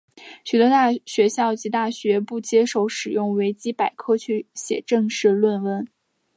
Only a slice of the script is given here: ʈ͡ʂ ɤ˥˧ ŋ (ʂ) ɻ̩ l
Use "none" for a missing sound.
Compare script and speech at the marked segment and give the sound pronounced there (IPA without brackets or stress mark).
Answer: ʂ